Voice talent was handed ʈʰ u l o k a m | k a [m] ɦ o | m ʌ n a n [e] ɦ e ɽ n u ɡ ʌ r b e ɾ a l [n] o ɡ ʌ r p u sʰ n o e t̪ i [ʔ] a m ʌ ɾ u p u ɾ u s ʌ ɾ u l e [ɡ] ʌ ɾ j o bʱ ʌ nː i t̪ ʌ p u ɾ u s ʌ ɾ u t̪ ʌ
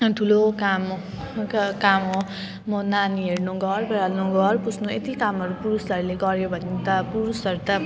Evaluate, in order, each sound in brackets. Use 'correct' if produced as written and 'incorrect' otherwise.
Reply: correct, incorrect: i, correct, incorrect: k, correct

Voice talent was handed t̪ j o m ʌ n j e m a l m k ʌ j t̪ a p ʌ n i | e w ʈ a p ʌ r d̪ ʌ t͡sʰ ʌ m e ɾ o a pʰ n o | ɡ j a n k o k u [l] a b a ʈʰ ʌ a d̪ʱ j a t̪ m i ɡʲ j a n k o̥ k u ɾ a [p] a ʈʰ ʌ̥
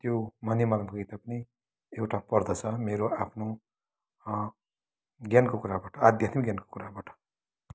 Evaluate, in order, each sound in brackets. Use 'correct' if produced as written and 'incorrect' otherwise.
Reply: incorrect: ɾ, incorrect: b

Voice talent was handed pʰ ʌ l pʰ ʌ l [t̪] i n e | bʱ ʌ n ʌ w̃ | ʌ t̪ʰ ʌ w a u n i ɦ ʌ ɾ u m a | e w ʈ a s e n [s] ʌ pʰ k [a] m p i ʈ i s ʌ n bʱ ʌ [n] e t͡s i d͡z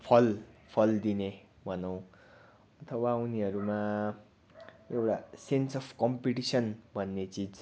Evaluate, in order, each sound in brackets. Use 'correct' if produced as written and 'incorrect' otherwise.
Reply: incorrect: d̪, correct, incorrect: ʌ, incorrect: nː

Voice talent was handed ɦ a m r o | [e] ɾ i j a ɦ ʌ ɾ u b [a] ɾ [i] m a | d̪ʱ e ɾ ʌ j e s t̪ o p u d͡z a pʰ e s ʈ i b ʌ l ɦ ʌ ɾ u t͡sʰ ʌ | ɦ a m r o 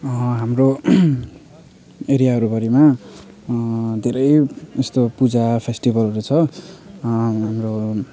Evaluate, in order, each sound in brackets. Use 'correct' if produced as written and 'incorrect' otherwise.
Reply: correct, incorrect: ʌ, correct

